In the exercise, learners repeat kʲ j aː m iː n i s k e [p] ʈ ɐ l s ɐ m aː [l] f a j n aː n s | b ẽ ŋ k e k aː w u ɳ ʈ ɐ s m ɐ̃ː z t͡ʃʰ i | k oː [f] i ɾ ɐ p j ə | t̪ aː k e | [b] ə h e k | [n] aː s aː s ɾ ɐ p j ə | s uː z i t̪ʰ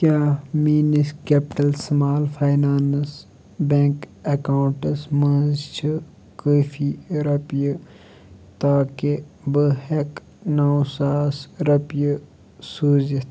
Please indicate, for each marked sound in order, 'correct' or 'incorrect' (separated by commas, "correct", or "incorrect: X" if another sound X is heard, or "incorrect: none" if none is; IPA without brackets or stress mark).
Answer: correct, correct, correct, correct, correct